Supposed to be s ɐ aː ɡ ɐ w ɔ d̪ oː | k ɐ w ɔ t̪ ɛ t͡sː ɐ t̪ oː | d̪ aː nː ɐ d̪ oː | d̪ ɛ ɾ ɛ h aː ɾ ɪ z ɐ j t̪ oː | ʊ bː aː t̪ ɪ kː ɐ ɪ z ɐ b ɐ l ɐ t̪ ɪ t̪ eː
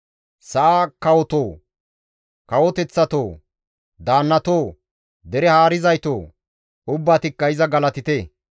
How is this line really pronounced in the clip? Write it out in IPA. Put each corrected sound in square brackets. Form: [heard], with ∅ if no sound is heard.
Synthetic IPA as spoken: s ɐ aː [k] ɐ w ɔ [t̪] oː | k ɐ w ɔ t̪ ɛ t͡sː ɐ t̪ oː | d̪ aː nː ɐ [t̪] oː | d̪ ɛ ɾ ɛ h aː ɾ ɪ z ɐ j t̪ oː | ʊ bː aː t̪ ɪ kː ɐ ɪ z ɐ [ɡ] ɐ l ɐ t̪ ɪ t̪ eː